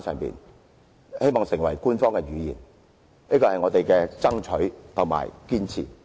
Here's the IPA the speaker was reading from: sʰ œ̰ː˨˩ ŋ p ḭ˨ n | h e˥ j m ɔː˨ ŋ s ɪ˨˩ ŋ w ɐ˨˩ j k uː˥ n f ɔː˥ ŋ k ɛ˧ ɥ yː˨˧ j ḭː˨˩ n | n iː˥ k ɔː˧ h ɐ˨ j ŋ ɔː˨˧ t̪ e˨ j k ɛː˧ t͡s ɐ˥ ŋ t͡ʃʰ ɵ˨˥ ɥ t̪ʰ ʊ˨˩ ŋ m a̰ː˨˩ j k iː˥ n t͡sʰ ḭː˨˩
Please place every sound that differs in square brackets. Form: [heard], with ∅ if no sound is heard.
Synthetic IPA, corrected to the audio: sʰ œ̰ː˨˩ ŋ p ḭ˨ n | h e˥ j m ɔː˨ ŋ s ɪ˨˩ ŋ w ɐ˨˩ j k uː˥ n f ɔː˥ ŋ k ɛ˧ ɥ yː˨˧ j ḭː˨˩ n | n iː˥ k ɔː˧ h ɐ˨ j ŋ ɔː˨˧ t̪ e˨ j k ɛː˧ t͡s ɐ˥ ŋ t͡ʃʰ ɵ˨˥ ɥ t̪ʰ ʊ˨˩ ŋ m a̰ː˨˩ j k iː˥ n t͡sʰ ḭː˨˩

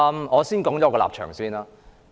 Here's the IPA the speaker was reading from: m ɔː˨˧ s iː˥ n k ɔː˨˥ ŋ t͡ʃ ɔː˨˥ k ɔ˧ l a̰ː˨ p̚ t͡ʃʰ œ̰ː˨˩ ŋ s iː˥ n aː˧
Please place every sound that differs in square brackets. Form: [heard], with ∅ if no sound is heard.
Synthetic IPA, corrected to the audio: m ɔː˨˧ s iː˥ n k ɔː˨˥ ŋ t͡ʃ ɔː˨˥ k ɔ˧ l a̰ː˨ p̚ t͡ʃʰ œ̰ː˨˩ ŋ s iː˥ n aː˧

